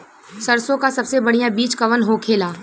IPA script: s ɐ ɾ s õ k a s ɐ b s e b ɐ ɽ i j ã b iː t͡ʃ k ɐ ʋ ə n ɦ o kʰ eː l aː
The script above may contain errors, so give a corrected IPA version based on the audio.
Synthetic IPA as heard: s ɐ ɾ s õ k a s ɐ b s e b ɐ ɽ i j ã b iː t͡ʃ k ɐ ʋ ə n ɦ o kʰ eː l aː